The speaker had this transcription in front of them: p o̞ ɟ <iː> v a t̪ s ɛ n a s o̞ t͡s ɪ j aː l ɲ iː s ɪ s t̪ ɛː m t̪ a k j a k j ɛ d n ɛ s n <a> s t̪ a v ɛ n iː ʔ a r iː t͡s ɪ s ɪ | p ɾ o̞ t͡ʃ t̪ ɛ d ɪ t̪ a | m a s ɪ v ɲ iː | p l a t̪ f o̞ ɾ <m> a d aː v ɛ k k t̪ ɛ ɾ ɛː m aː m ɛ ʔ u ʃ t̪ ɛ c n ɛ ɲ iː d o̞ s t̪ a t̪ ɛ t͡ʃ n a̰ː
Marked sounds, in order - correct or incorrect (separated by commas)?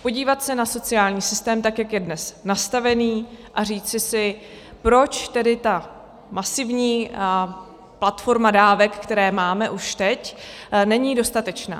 correct, correct, correct